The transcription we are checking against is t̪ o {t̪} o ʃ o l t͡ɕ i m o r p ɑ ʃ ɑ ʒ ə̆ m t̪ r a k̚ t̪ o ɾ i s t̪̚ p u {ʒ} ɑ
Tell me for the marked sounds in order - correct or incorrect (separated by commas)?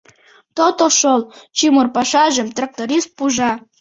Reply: correct, correct